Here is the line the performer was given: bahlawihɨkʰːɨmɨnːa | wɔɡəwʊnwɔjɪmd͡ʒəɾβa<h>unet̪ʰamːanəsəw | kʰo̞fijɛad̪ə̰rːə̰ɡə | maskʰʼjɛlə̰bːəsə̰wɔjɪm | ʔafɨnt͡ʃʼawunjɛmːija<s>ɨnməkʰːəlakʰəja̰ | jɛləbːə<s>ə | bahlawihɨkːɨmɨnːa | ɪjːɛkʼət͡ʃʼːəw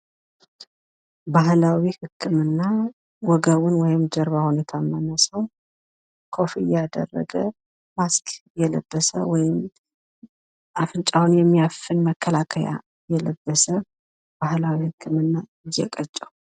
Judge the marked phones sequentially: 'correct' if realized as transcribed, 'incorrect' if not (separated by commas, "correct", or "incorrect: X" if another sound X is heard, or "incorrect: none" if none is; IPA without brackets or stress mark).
correct, incorrect: f, correct